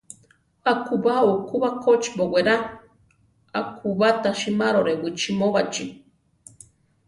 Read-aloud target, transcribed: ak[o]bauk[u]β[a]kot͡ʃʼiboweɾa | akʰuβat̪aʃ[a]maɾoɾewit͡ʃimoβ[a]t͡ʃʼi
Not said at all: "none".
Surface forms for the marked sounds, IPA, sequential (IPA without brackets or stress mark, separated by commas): u, u, a, i, a